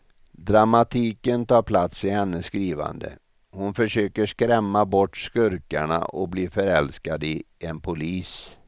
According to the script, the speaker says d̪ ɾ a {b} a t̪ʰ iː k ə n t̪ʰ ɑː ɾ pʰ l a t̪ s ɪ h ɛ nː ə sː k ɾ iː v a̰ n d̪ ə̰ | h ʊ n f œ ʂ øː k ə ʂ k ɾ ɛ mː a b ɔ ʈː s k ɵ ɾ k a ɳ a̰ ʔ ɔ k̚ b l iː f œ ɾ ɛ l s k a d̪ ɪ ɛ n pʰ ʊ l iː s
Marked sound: incorrect: m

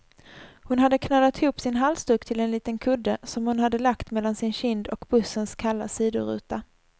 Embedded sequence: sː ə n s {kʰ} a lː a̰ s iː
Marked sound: correct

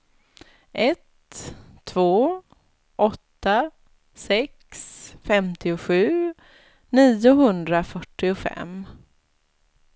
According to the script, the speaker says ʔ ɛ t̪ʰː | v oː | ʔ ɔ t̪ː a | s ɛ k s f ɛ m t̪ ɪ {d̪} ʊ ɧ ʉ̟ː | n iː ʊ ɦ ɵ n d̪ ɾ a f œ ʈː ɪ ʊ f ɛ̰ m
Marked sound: incorrect: none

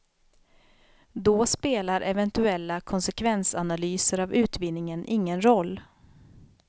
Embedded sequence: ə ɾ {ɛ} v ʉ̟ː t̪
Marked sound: incorrect: a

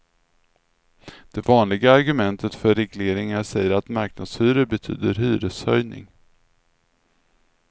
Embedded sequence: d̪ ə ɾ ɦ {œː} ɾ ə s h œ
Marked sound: incorrect: yː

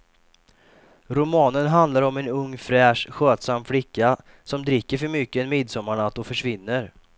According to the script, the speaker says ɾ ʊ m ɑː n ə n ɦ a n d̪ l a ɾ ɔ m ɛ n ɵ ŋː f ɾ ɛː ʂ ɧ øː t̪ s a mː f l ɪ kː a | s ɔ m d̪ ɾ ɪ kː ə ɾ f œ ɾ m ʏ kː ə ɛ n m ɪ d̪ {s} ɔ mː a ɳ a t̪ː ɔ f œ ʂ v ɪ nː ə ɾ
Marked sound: correct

